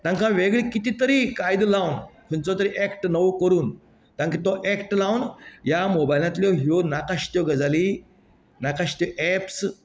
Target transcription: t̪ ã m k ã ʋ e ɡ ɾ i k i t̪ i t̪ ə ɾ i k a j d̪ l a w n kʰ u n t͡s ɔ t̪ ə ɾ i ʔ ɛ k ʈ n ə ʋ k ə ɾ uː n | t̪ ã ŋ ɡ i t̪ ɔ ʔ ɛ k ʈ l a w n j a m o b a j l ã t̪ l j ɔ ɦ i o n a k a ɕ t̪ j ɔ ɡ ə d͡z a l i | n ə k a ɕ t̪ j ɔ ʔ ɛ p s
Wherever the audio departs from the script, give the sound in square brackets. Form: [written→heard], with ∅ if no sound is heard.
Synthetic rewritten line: t̪ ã [m→ŋ] k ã ʋ e ɡ [ɾ→ɭ] i k i t̪ i t̪ ə ɾ i k a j d̪ l a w n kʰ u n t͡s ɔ t̪ ə ɾ i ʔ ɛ k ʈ n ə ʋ k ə ɾ uː n | t̪ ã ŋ [ɡ→k] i t̪ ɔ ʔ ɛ k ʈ l a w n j a m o b a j l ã t̪ l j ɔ ɦ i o n a k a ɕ t̪ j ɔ ɡ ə d͡z a l i | n [ə→a] k a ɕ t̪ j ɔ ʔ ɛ p s